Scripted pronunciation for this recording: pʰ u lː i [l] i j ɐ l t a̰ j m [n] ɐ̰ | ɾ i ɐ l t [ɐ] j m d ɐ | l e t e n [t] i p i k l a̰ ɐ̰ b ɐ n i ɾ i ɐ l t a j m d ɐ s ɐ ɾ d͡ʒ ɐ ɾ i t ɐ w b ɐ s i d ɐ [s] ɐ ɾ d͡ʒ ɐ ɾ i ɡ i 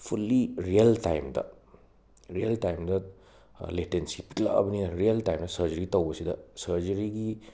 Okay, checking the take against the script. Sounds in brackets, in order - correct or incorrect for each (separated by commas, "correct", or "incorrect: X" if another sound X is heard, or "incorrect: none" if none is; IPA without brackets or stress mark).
incorrect: ɾ, incorrect: d, incorrect: a, incorrect: s, correct